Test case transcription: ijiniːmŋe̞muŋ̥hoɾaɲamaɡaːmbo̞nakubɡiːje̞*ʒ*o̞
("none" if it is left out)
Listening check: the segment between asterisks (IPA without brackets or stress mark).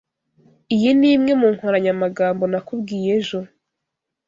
ʒ